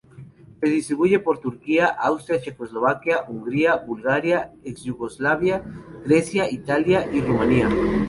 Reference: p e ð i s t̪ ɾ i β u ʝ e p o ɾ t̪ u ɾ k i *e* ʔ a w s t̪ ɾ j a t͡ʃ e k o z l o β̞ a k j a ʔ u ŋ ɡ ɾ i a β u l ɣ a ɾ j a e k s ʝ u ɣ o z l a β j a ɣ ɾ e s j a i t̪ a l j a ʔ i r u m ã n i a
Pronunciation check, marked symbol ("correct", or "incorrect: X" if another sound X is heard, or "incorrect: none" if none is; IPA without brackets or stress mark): incorrect: a